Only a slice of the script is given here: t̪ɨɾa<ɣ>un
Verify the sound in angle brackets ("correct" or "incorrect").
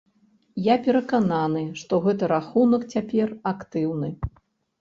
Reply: incorrect